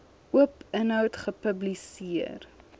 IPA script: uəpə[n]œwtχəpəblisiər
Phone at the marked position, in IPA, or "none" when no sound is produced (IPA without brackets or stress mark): n